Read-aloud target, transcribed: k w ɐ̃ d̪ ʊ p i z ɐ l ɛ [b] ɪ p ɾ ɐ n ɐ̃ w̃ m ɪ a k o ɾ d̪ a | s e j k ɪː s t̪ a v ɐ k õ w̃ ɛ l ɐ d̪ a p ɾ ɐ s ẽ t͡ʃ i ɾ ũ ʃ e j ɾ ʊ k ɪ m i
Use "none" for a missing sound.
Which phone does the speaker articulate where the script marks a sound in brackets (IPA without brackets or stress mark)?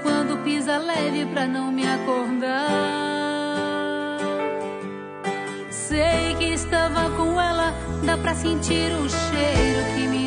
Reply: v